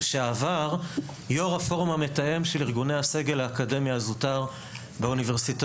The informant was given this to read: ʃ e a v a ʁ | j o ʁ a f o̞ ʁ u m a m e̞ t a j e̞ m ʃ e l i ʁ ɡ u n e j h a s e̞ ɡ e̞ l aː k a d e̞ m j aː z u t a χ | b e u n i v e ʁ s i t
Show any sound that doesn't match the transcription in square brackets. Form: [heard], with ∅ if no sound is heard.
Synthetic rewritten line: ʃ e a v a ʁ | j o ʁ a f o̞ ʁ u m a m e̞ t a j e̞ m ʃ e l i ʁ ɡ u n e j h a s e̞ ɡ e̞ l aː k a d e̞ m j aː z u t a [ʁ] | b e u n i v e ʁ s i t